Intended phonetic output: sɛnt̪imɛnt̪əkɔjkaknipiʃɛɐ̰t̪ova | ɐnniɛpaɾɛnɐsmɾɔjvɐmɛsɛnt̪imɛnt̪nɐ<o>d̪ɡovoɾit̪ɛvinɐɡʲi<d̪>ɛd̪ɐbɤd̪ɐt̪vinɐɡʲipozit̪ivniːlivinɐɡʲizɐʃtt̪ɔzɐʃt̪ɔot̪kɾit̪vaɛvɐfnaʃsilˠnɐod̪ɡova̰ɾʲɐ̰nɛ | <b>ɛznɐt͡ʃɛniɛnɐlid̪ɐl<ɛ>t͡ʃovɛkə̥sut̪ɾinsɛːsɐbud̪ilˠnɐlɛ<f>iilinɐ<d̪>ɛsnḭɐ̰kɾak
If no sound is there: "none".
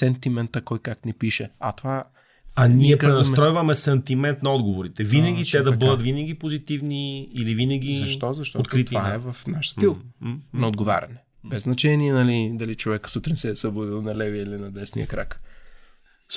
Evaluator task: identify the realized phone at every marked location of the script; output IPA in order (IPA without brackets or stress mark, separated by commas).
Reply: ɔ, t̪, b, i, v, d̪